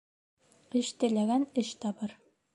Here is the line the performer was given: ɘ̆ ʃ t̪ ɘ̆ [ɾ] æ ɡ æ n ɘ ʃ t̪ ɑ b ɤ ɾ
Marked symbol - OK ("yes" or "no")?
no